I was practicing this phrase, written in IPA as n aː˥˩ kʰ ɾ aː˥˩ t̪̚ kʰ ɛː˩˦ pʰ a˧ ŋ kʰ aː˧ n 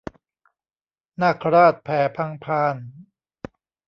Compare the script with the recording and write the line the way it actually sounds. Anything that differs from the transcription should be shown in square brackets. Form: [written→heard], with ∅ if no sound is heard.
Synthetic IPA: n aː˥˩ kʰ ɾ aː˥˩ t̪̚ [kʰ→pʰ] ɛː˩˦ pʰ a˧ ŋ [kʰ→pʰ] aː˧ n